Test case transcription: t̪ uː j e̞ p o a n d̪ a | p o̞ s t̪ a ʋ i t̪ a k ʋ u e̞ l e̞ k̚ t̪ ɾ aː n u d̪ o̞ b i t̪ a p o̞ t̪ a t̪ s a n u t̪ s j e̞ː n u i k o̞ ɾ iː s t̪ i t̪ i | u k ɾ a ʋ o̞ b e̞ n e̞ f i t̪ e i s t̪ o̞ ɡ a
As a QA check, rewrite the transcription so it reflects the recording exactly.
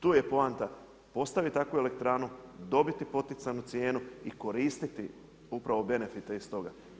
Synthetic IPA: t̪ uː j e̞ p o a n t̪ a | p o̞ s t̪ a ʋ i t̪ a k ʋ u e̞ l e̞ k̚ t̪ ɾ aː n u d̪ o̞ b i t̪ i p o̞ t̪ i t̪ s a n u t̪ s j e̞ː n u i k o̞ ɾ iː s t̪ i t̪ i | u p ɾ a ʋ o̞ b e̞ n e̞ f i t̪ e i s t̪ o̞ ɡ a